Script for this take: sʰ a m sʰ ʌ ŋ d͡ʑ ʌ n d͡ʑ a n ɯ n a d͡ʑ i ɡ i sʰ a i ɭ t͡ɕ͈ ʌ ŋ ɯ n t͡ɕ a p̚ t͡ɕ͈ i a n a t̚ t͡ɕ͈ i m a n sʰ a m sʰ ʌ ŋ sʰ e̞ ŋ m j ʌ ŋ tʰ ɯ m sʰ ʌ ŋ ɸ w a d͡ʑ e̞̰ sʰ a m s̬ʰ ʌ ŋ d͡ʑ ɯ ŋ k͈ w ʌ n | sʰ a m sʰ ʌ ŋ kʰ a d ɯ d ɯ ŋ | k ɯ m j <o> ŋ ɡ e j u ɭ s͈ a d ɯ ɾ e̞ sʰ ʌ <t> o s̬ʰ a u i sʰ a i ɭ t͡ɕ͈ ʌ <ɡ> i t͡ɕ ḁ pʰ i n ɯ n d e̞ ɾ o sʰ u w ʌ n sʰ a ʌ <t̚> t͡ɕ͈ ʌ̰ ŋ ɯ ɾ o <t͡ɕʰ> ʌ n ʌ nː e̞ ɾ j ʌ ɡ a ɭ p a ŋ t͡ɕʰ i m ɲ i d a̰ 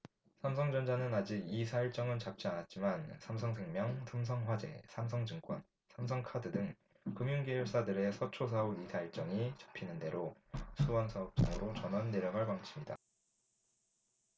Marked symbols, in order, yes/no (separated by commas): no, no, no, no, no